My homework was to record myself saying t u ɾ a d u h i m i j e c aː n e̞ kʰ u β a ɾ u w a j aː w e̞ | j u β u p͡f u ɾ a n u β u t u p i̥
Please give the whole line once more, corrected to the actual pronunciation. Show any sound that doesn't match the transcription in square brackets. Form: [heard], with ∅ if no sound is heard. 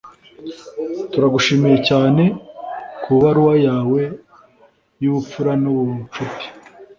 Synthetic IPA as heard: t u ɾ a [ɡ] u [ʃ] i m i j e c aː n e̞ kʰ u β a ɾ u w a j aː w e̞ | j u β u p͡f u ɾ a n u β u [t͡ʃ] u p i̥